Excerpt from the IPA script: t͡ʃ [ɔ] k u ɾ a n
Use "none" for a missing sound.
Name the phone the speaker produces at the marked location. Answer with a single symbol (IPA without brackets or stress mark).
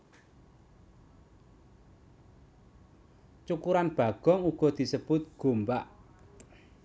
u